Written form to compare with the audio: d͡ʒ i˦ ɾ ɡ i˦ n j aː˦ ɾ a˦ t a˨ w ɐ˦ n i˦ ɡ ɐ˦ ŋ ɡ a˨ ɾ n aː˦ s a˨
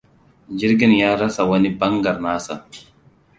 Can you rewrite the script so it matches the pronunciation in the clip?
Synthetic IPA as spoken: d͡ʒ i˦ ɾ ɡ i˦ n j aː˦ ɾ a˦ s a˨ w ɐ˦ n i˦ b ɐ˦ ŋ ɡ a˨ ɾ n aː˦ s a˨